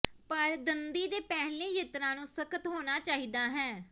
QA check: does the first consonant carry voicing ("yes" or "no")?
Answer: no